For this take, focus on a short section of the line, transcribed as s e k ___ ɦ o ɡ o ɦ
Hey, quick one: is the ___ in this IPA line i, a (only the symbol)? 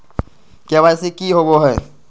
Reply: i